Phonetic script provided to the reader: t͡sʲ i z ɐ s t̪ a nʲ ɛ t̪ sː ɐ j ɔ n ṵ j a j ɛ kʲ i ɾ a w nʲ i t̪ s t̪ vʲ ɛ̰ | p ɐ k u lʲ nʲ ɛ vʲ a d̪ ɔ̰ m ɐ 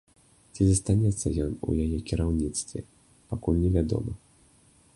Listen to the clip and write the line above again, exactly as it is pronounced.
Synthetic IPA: t͡sʲ i z ɐ s t̪ a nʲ ɛ t̪ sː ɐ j ɔ n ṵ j a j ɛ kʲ i ɾ a w nʲ i t̪ s t̪ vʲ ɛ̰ | p a k u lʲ nʲ ɛ vʲ a d̪ ɔ̰ m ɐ